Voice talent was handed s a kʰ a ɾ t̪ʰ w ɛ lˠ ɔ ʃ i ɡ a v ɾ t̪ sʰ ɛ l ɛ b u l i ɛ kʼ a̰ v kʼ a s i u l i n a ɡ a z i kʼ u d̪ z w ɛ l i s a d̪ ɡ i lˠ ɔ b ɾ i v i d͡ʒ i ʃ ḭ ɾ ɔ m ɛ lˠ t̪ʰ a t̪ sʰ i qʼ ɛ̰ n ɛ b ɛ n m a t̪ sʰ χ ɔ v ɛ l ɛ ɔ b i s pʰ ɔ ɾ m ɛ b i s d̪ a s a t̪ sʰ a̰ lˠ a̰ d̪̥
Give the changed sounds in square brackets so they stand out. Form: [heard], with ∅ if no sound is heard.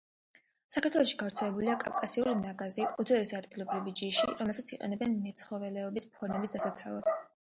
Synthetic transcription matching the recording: s a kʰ a ɾ t̪ʰ w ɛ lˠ ɔ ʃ i ɡ a v ɾ t̪ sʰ ɛ l ɛ b u l i [a] kʼ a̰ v kʼ a s i u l i n a ɡ a z i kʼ u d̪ z w ɛ l i s a d̪ ɡ i lˠ ɔ b ɾ i v i d͡ʒ i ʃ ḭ ɾ ɔ m ɛ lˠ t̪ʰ a t̪ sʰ i qʼ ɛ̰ n ɛ b ɛ n m [ɛ] t̪ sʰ χ ɔ v ɛ l ɛ ɔ b i s pʰ ɔ ɾ m ɛ b i s d̪ a s a t̪ sʰ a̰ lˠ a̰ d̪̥